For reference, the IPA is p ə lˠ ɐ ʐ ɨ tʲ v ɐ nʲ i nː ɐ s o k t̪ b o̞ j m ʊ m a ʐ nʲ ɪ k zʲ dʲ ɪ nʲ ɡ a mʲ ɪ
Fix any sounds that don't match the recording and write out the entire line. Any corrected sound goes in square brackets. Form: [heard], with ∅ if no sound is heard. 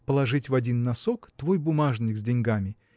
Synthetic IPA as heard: p ə lˠ ɐ ʐ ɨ tʲ v ɐ [dʲ] i nː ɐ s o k t̪ [v] o̞ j [b] ʊ m a ʐ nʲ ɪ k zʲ dʲ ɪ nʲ ɡ a mʲ ɪ